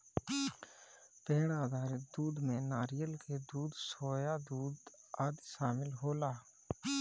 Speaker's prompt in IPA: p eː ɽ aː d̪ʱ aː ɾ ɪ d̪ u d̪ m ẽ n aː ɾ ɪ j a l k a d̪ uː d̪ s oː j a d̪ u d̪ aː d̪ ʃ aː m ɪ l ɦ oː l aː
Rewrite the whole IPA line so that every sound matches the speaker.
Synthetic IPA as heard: p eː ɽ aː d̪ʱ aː ɾ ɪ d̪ uː d̪ m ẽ n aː ɾ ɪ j ə l k e d̪ uː d̪ s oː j a d̪ uː d̪ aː d̪ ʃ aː m ɪ l ɦ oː l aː